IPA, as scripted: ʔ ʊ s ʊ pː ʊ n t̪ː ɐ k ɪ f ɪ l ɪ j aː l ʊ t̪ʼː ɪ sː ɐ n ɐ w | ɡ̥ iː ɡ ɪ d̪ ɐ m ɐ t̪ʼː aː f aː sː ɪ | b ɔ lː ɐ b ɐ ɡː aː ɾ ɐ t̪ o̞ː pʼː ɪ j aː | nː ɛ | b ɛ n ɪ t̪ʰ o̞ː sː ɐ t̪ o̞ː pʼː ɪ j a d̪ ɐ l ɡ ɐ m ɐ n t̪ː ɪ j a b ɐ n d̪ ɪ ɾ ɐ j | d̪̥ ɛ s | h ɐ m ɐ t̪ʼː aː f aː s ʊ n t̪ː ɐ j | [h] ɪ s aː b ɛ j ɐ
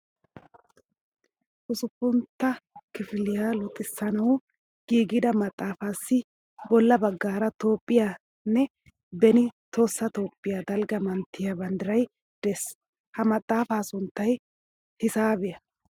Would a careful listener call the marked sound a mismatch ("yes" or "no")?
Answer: no